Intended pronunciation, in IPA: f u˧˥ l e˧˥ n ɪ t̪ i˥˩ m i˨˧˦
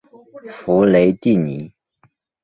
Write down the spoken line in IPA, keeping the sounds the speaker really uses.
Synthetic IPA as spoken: f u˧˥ l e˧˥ ɪ t̪ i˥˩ n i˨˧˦